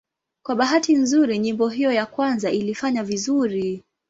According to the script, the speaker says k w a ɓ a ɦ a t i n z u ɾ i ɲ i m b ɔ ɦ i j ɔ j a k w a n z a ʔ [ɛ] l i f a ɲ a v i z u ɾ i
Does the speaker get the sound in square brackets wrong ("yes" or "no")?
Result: yes